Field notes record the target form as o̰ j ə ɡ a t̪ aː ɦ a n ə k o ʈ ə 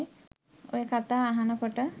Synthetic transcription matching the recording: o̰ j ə k a t̪ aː ɦ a n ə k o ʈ ə